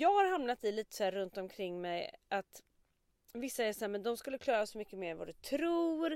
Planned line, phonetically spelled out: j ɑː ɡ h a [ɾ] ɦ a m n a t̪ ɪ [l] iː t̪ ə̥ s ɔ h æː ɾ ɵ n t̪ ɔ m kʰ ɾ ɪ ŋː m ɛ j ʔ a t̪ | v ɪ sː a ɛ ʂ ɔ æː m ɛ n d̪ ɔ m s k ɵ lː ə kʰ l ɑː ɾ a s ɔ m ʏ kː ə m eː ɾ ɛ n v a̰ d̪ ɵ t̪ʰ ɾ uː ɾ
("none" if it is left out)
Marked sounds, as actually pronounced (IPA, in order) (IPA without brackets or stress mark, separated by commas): ɾ, l